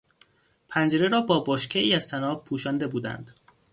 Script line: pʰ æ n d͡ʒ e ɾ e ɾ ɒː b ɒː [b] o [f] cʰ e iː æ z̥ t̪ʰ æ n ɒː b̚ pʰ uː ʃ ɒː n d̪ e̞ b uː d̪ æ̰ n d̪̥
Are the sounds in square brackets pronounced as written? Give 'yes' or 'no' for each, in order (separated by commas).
yes, no